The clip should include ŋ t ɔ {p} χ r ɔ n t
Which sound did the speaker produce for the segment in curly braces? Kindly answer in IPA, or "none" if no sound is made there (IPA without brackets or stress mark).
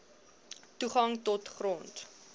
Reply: t